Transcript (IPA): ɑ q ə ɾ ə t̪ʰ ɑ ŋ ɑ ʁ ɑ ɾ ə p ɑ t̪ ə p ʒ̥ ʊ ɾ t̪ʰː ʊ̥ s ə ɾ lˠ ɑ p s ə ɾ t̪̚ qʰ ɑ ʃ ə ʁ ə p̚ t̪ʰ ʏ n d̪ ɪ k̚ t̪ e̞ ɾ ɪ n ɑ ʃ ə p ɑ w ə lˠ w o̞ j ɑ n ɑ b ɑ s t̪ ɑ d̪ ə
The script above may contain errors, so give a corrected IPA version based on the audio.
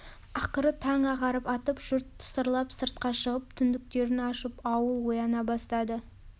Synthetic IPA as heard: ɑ q ə ɾ ə t̪ʰ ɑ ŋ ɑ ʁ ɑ ɾ ə p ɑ t̪ ə p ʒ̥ ʊ ɾ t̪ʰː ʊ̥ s ə ɾ lˠ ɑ p s ə ɾ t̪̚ q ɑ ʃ ə ʁ ə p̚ t̪ʰ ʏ n d̪ ɪ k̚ t̪ e̞ ɾ ɪ n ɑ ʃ ə p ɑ w ə lˠ w o̞ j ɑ n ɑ b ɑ s t̪ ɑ d̪ ə